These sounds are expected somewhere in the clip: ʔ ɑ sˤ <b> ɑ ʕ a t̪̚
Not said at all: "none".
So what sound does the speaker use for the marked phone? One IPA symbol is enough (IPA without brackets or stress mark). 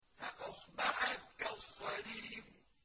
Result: b